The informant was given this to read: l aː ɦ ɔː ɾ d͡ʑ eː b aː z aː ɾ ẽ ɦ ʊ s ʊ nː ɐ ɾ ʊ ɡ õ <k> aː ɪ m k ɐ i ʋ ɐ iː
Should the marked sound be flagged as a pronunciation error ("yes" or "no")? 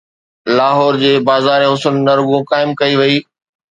no